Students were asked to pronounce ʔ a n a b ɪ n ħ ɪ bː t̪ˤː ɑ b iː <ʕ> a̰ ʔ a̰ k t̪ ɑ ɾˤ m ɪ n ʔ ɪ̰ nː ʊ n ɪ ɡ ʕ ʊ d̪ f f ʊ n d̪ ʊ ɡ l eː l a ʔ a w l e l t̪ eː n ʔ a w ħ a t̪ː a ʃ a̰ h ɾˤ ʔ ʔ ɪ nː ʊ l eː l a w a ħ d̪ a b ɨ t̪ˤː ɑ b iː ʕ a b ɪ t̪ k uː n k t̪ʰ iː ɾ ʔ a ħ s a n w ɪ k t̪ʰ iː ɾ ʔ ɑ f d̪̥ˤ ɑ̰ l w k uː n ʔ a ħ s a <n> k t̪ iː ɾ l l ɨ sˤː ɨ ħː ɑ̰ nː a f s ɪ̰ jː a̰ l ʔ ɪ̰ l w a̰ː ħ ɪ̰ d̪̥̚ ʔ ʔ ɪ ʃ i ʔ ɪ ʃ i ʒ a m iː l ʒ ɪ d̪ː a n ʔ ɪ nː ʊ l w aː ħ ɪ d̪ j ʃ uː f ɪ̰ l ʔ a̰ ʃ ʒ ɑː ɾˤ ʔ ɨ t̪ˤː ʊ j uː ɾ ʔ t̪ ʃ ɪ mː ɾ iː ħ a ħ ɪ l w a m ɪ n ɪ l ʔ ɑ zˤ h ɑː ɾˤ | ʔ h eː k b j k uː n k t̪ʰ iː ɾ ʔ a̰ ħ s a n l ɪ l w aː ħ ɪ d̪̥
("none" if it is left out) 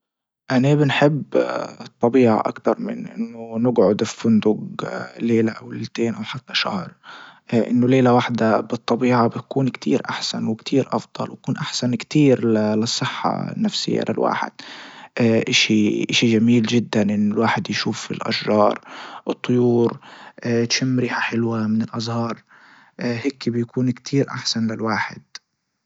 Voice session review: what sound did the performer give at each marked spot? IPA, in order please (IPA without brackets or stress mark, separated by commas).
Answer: ʕ, n